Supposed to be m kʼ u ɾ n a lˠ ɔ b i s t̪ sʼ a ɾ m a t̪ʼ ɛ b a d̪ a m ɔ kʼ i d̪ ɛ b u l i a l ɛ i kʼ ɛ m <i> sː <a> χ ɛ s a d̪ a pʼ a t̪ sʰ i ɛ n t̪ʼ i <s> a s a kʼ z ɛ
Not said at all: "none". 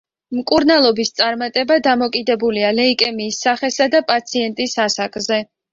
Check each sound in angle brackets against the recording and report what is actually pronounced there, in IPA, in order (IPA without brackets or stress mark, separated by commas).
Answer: iː, a, s